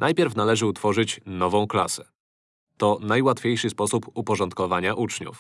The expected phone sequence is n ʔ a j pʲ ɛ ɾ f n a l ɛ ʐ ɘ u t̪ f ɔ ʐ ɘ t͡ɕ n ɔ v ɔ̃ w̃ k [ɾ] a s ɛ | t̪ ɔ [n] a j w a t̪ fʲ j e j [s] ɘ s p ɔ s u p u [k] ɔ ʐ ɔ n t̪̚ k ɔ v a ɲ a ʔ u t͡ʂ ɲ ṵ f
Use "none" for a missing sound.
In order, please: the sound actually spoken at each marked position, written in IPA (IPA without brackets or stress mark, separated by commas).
l, n, ʂ, p